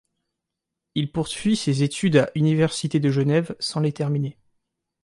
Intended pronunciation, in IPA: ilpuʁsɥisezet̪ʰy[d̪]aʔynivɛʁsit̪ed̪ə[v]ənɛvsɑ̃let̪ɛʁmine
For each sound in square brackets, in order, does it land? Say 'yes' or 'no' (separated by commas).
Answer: yes, no